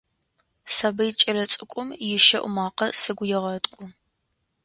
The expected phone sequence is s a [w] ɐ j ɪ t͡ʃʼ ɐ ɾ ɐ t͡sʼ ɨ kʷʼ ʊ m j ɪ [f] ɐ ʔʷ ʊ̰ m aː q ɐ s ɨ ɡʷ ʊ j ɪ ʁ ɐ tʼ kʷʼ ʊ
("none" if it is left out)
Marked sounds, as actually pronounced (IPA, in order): b, ʃ

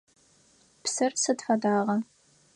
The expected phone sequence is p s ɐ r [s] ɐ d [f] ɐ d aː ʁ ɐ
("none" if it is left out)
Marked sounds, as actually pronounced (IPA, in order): s, f

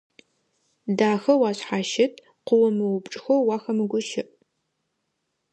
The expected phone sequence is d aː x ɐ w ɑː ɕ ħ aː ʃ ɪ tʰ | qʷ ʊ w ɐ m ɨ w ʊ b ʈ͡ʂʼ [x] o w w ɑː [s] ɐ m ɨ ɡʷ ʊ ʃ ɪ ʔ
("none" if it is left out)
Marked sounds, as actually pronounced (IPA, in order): x, x

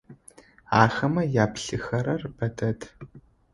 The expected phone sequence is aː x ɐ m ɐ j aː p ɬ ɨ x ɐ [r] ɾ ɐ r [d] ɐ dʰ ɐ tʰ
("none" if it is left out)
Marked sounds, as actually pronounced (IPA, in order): none, b

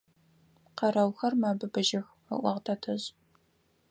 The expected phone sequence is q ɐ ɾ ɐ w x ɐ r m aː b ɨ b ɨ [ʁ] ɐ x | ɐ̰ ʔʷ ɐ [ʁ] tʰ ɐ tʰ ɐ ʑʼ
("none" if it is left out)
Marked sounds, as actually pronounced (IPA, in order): ʒ, ʁ

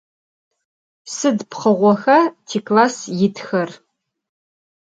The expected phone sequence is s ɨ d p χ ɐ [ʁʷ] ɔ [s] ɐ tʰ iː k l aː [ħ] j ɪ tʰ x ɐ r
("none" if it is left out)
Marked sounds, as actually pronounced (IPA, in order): ʁʷ, x, s

